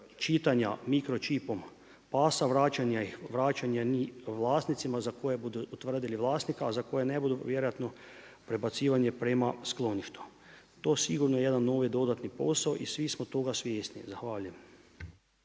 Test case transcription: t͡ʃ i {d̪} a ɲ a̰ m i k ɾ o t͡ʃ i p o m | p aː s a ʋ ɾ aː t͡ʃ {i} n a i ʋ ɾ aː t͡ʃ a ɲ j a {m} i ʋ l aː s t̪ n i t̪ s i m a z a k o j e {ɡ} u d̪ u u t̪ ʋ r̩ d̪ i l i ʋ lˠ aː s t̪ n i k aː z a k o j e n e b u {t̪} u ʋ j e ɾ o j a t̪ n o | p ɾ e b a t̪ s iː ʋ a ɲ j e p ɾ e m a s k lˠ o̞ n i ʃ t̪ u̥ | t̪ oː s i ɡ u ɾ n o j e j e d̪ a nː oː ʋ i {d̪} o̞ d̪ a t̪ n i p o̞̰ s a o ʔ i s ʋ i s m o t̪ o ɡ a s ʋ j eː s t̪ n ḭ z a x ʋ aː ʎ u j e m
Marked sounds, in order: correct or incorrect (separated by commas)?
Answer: incorrect, incorrect, incorrect, incorrect, incorrect, correct